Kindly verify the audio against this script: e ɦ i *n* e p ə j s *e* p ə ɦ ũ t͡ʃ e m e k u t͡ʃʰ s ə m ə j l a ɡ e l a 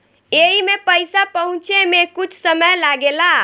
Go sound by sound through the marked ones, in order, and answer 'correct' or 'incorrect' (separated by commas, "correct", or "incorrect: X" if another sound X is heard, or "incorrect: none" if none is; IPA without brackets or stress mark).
incorrect: m, incorrect: a